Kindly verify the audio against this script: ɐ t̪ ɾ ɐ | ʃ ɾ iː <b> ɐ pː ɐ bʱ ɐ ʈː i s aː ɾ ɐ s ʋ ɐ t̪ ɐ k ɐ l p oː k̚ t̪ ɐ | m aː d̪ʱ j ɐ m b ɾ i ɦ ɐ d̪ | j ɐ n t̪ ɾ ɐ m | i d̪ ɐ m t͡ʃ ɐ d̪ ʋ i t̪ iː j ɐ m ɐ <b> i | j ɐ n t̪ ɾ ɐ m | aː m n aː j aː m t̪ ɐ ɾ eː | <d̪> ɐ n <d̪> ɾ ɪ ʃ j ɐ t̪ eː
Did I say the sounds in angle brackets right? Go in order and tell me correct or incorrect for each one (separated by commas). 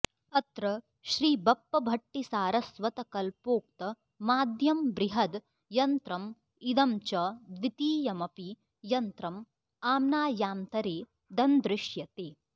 correct, incorrect, correct, correct